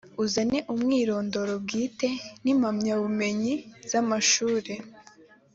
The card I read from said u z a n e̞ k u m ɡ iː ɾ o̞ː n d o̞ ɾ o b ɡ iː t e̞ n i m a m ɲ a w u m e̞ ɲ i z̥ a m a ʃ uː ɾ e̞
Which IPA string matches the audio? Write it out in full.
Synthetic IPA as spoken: u z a n e̞ ʔ u m ŋ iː ɾ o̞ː n d o̞ ɾ o b ɡ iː t e̞ n i m a m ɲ a β u m e̞ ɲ i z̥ a m a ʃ uː ɾ e̞